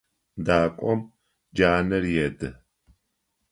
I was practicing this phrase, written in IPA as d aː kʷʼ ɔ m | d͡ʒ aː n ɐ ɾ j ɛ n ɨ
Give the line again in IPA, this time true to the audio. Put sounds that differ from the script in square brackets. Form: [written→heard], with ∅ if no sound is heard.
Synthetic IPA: d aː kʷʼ ɔ m | d͡ʒ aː n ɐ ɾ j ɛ [n→d] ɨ